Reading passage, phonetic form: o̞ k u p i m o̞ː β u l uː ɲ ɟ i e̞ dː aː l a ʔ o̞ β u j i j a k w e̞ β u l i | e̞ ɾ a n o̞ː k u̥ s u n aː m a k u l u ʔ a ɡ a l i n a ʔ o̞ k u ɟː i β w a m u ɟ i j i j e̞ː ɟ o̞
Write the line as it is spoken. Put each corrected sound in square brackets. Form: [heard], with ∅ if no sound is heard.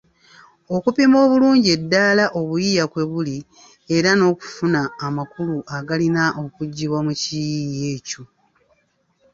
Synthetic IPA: o̞ k u p i m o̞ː β u l uː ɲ ɟ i e̞ dː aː l a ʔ o̞ β u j i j a k w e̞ β u l i | e̞ ɾ a n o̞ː k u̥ [f] u n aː m a k u l u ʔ a ɡ a l i n a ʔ o̞ k u ɟː i β w a m u [c] i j i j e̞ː [c] o̞